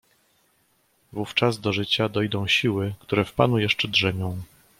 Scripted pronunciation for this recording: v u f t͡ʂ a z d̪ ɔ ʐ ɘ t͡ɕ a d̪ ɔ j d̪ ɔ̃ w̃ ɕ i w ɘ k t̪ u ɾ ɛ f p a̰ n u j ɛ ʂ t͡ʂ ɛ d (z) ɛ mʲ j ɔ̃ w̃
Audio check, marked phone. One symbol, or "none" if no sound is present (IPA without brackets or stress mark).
ʐ